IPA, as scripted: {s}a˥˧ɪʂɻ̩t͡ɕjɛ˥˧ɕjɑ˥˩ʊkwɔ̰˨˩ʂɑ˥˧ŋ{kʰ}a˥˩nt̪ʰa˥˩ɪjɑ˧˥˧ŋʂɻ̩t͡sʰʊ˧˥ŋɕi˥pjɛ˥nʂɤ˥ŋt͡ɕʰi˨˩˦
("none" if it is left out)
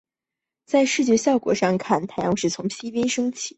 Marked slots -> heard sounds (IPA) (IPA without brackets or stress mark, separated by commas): t͡s, kʰ